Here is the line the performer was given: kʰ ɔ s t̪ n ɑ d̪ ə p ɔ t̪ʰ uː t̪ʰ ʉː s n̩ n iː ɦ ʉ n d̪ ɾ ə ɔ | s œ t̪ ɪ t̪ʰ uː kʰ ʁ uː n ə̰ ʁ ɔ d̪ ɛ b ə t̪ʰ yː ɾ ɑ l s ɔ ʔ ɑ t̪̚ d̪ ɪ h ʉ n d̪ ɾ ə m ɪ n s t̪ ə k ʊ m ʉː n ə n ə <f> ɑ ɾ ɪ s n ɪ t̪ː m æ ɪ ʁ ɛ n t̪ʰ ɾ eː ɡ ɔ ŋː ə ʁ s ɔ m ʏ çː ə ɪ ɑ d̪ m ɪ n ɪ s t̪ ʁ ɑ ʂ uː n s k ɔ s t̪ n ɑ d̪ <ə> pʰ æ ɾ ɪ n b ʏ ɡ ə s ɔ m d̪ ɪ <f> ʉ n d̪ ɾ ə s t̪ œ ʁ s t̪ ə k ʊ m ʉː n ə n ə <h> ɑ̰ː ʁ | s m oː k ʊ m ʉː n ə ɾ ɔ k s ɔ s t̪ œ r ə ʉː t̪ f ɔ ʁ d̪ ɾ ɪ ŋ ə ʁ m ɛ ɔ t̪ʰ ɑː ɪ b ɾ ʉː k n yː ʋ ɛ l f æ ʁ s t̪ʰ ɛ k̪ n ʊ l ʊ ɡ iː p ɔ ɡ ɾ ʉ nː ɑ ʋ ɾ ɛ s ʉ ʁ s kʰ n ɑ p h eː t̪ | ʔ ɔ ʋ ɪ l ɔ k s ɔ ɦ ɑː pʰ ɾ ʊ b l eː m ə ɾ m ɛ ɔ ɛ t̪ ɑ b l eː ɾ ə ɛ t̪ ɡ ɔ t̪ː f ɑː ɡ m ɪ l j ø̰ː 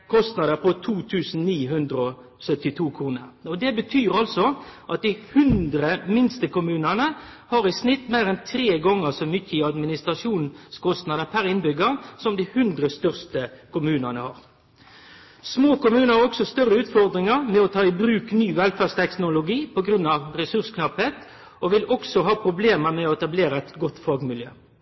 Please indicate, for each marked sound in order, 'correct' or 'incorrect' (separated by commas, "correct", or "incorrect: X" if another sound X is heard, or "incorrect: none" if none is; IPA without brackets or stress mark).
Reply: incorrect: h, correct, incorrect: h, correct